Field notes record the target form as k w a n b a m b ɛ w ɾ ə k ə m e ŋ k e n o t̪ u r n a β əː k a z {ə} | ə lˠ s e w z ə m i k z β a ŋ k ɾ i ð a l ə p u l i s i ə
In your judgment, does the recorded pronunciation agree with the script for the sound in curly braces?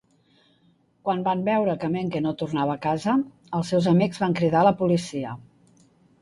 yes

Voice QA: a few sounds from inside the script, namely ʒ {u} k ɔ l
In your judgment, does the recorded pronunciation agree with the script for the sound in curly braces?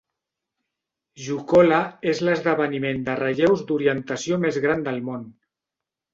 yes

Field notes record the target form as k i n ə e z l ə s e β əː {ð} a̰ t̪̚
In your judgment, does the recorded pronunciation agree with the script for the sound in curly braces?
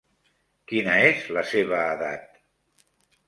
yes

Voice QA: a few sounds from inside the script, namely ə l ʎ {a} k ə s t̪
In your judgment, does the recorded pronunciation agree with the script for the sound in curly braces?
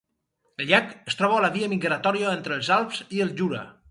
yes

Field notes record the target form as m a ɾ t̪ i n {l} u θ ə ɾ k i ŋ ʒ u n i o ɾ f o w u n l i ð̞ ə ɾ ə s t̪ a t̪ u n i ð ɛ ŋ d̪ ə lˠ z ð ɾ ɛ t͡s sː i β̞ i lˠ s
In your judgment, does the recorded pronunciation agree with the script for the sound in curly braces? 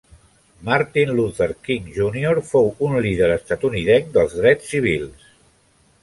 yes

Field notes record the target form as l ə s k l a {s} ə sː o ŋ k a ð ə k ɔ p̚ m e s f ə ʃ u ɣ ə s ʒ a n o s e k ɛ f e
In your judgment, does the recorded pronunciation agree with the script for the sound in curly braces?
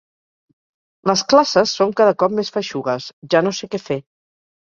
yes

